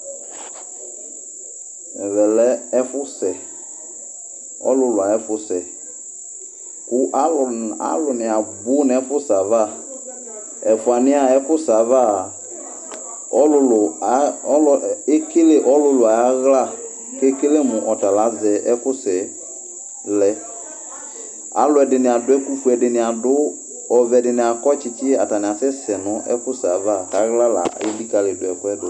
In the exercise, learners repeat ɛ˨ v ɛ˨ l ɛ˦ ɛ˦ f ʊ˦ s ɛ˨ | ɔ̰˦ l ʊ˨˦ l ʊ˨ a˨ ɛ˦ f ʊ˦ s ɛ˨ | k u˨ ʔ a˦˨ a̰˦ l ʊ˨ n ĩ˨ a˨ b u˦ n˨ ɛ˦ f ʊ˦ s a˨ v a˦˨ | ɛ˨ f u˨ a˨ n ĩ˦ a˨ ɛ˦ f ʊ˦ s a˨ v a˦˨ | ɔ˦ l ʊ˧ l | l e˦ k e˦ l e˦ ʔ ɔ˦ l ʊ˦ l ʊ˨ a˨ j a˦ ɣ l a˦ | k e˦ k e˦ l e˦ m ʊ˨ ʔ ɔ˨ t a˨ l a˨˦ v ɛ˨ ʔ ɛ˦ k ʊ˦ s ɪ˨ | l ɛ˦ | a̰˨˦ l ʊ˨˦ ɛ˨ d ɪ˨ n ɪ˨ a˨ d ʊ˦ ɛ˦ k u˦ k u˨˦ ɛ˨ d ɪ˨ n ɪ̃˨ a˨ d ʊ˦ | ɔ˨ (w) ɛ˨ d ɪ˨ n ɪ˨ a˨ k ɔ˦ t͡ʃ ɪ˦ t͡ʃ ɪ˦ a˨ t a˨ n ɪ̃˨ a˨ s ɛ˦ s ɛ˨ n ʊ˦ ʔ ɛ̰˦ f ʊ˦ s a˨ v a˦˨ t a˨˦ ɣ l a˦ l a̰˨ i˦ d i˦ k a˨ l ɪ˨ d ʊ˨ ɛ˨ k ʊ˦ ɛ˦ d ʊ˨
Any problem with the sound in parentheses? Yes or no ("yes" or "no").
yes